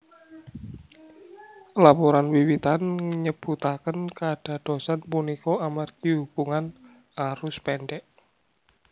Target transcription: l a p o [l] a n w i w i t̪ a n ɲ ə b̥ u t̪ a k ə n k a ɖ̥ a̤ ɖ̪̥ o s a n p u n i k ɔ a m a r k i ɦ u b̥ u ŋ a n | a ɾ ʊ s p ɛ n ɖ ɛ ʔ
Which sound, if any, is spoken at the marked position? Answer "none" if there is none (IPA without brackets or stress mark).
ɾ